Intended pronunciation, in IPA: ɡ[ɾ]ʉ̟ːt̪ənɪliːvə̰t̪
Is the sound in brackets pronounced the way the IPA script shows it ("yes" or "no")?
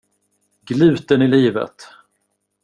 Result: no